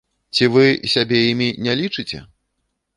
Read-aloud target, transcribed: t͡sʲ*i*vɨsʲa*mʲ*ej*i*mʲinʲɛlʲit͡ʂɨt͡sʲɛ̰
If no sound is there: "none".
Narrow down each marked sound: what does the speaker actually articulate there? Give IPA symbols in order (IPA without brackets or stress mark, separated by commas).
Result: i, bʲ, i